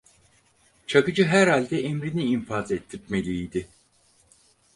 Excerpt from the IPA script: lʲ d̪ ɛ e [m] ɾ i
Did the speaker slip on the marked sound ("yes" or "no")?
no